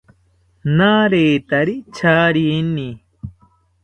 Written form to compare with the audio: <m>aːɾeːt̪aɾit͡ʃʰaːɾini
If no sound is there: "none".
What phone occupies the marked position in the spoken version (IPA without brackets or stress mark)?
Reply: n